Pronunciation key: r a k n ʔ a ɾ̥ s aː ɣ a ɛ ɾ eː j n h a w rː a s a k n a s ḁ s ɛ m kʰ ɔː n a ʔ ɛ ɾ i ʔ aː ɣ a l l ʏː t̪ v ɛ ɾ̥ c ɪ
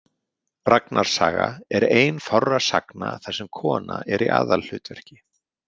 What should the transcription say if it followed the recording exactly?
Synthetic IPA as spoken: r a k n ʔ a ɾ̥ s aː ɣ a ɛ ɾ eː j n f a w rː a s a k n a θ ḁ s ɛ m kʰ ɔː n a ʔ ɛ ɾ i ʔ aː ð a l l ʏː t̪ v ɛ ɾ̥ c ɪ